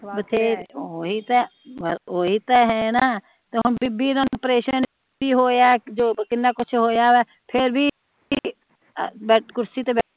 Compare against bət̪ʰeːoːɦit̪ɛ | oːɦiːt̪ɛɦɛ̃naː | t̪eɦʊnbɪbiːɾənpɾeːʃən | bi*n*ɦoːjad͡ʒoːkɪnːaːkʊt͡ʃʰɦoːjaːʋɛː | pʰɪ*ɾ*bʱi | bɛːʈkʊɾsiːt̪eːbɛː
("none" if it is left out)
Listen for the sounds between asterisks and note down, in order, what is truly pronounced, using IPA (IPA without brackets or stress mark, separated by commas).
none, ɾ